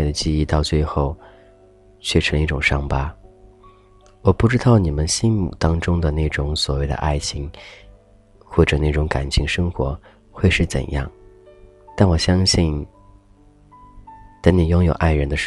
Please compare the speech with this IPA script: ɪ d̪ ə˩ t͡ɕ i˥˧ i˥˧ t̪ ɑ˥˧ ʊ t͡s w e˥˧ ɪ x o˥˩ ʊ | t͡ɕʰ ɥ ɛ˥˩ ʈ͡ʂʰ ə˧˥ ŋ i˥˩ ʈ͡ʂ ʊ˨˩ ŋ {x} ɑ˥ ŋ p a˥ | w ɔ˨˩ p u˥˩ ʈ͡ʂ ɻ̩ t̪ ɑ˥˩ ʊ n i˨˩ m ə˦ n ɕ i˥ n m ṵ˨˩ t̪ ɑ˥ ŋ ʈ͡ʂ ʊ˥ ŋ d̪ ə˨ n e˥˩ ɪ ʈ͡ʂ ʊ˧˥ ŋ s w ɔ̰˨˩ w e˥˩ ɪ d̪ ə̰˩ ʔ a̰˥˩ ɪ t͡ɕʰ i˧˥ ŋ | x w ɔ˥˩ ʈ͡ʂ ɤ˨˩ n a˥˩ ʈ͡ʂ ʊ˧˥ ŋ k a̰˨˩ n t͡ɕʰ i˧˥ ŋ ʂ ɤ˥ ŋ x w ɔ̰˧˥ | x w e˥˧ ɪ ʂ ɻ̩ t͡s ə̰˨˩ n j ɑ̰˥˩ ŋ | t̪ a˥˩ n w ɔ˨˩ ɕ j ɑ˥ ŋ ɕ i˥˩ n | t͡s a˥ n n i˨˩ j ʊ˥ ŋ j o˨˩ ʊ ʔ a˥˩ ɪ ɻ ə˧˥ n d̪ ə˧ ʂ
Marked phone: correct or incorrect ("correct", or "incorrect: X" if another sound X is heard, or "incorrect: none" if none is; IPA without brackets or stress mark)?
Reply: incorrect: ʂ